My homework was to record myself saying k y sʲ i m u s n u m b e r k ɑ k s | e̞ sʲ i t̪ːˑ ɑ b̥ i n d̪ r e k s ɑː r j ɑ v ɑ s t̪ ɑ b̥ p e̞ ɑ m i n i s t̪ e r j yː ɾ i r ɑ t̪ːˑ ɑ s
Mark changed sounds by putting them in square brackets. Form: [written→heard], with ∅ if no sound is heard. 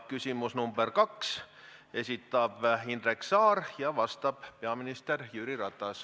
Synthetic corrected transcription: k y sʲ i m u s n u m b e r k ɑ k s | e̞ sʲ i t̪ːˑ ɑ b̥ i n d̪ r e k s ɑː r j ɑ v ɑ s t̪ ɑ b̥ p e̞ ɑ m i n i s t̪ e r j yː ɾ i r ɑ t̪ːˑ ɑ s